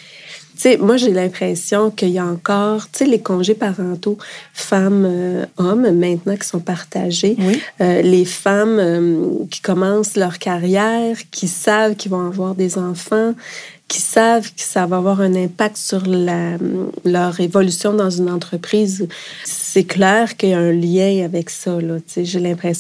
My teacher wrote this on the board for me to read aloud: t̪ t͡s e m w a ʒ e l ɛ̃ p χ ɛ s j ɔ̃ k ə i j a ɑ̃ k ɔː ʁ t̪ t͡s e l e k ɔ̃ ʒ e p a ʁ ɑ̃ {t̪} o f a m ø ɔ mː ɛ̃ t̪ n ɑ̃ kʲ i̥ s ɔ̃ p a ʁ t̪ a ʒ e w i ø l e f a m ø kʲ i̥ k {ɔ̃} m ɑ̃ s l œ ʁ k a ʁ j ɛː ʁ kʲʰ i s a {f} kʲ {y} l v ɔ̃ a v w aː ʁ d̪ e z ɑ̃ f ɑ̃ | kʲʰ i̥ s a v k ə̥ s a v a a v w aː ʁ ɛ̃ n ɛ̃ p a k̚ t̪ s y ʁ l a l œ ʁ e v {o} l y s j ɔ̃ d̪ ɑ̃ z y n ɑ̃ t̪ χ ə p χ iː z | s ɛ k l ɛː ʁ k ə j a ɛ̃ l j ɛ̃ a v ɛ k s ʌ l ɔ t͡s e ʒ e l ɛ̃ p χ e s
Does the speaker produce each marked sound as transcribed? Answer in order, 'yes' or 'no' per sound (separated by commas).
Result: yes, no, no, no, no